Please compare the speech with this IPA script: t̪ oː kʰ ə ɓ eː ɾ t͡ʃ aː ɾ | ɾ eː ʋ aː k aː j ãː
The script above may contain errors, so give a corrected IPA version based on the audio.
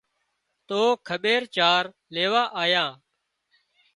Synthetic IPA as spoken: t̪ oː kʰ ə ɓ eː ɾ t͡ʃ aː ɾ | l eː ʋ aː ʔ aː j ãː